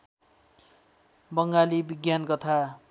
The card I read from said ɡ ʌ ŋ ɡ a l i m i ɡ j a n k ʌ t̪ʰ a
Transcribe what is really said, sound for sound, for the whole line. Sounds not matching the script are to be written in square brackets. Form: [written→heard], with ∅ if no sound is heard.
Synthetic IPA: [ɡ→b] ʌ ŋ ɡ a l i [m→b] i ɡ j a n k ʌ t̪ʰ a